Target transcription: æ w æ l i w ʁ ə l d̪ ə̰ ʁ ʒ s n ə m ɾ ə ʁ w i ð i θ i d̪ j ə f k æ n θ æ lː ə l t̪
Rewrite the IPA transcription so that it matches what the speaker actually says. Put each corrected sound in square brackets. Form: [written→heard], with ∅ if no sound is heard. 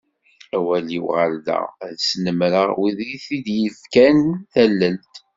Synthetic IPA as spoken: æ w æ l i w ʁ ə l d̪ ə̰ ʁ [ʒ→ð] s n ə m ɾ ə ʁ w i ð i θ i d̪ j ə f k æ n θ æ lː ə l t̪